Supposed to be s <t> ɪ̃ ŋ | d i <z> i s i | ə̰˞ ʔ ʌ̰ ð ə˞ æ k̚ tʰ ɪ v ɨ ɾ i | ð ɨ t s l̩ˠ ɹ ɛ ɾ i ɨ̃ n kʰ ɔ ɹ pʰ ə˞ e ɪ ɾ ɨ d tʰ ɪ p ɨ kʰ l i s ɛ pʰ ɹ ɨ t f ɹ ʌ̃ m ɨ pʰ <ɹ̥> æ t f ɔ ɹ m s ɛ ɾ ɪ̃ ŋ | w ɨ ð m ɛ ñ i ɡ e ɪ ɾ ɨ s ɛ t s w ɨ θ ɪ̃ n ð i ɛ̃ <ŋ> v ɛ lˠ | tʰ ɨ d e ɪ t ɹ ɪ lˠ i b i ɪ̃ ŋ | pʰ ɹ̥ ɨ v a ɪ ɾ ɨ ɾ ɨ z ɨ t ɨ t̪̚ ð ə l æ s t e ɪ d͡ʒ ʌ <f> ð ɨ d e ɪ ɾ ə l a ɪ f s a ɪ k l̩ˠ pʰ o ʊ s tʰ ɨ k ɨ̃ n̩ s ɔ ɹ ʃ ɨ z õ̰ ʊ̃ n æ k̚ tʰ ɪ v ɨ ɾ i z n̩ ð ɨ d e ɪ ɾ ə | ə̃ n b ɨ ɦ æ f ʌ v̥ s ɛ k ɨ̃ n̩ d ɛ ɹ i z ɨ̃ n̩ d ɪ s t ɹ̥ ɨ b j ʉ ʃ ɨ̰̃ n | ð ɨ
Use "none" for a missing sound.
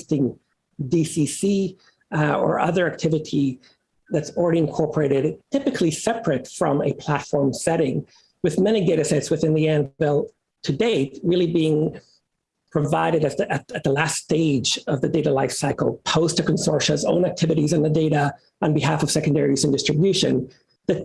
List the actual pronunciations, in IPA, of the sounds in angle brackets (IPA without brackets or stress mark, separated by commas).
t, s, l̥, n, v